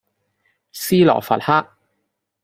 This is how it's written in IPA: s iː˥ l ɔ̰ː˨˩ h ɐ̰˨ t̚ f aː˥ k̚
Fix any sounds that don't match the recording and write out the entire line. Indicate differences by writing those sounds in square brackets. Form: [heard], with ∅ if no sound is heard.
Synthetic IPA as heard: s iː˥ l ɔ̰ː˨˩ [f] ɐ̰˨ t̚ [h] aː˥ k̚